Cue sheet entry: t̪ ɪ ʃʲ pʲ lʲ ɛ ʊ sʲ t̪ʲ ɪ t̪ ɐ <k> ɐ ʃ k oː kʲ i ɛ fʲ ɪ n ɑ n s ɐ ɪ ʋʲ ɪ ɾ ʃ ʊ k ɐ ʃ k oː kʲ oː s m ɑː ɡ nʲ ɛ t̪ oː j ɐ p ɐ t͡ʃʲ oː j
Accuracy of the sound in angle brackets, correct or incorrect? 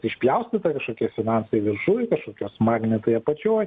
correct